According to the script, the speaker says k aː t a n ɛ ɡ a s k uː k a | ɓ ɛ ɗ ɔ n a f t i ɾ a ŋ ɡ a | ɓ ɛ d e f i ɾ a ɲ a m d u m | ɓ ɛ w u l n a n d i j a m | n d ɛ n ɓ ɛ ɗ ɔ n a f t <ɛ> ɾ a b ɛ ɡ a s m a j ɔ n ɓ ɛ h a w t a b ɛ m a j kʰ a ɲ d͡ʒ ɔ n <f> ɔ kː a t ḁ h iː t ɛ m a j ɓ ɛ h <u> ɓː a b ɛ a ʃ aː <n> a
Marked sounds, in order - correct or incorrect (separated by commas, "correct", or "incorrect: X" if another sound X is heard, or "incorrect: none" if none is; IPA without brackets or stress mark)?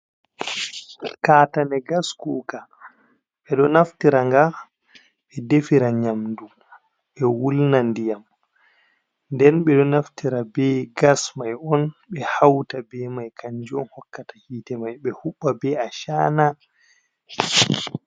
incorrect: i, incorrect: h, correct, correct